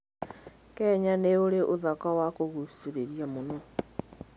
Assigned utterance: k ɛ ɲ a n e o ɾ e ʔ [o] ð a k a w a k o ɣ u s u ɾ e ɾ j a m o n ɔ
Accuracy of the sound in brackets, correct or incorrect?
correct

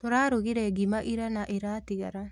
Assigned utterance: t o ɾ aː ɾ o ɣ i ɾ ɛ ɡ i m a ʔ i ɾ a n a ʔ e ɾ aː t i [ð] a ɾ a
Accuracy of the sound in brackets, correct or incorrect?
incorrect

